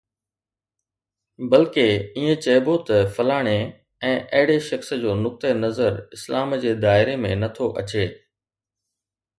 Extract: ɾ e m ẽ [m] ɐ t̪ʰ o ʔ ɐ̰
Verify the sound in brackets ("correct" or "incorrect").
incorrect